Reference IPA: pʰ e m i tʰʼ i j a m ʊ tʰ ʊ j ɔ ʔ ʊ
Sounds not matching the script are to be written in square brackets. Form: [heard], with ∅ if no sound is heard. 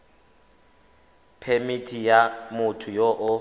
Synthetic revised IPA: pʰ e m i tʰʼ i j a m ʊ tʰ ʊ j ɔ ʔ ʊ